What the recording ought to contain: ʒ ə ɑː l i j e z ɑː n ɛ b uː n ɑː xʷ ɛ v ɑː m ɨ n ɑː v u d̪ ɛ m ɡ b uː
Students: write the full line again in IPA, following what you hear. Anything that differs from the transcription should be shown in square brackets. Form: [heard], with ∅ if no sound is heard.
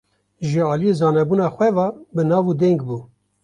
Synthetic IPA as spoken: ʒ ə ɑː l i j e z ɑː n ɛ b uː n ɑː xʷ ɛ v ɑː [b] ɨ n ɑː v u d̪ ɛ [ŋ] ɡ b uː